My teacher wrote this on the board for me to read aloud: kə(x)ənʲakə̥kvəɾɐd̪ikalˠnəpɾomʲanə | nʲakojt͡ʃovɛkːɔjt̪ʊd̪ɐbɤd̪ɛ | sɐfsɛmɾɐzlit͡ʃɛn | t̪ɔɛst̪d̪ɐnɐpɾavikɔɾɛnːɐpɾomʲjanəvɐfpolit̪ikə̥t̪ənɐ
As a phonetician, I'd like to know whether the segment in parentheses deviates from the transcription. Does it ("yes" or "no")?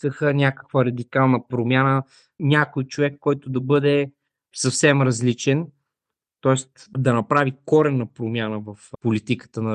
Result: no